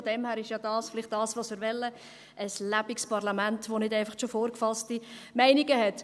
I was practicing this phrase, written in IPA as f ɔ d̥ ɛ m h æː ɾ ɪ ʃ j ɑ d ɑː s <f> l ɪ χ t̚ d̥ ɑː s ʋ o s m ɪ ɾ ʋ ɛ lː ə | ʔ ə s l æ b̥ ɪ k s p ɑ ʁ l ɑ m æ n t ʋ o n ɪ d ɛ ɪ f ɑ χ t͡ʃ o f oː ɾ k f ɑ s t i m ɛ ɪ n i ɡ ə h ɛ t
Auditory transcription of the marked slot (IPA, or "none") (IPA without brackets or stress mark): f